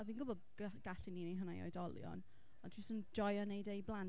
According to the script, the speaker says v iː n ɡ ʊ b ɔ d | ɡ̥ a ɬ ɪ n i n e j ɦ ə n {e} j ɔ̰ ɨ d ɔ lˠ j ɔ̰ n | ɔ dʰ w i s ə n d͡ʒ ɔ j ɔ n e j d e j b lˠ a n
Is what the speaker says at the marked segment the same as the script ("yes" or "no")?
no